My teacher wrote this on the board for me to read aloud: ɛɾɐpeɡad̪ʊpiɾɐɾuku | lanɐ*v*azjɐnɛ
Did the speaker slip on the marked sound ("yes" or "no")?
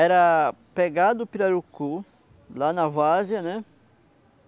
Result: no